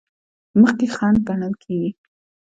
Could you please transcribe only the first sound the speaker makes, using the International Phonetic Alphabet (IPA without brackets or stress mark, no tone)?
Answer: m